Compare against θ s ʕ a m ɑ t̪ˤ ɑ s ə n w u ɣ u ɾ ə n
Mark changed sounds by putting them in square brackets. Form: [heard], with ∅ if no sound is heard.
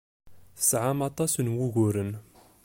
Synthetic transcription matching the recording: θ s ʕ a m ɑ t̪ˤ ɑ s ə n w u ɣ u ɾ ə n